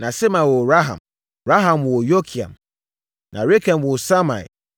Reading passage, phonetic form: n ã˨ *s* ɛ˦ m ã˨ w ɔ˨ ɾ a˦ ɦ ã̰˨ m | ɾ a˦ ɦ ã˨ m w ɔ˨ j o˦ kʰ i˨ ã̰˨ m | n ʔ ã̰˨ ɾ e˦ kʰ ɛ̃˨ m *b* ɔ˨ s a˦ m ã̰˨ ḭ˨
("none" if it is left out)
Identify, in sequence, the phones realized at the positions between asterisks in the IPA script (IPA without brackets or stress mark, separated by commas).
s, w